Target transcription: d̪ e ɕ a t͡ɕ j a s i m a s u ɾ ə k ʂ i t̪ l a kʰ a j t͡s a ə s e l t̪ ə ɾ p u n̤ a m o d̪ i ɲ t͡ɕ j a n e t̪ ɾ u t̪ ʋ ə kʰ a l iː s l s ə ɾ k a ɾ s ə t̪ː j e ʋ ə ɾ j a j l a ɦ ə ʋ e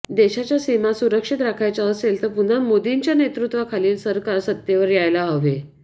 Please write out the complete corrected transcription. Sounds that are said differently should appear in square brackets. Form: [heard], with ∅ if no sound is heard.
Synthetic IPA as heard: d̪ e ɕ a t͡ɕ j a s i m a s u ɾ ə k ʂ i t̪ [ɾ] a kʰ a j t͡s a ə s e l t̪ ə ɾ p u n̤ a m o d̪ i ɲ t͡ɕ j a n e t̪ ɾ u t̪ ʋ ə kʰ a l iː [∅] l s ə ɾ k a ɾ s ə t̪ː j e ʋ ə ɾ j a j l a ɦ ə ʋ e